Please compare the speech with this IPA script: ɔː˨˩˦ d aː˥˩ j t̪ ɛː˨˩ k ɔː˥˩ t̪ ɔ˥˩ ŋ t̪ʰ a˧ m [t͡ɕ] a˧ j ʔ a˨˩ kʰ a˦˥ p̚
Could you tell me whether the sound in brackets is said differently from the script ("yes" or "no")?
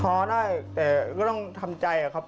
no